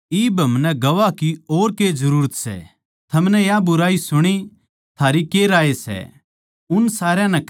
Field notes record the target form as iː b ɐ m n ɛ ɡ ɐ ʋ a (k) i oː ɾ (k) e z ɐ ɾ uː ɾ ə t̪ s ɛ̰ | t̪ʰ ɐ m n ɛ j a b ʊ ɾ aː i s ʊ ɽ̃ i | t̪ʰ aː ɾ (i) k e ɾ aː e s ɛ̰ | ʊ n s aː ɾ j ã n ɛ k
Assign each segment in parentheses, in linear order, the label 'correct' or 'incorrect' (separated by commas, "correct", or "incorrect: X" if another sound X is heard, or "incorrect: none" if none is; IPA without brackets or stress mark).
correct, correct, correct